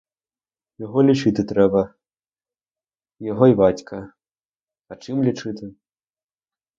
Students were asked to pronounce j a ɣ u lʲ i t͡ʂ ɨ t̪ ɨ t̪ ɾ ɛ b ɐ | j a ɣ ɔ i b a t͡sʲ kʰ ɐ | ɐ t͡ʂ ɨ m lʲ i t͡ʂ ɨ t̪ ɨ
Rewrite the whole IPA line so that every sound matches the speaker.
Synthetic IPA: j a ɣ ɔ lʲ i t͡ʂ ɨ t̪ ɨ t̪ ɾ ɛ b ɐ | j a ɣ ɔ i b a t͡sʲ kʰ ɐ | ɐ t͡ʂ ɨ m lʲ i t͡ʂ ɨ t̪ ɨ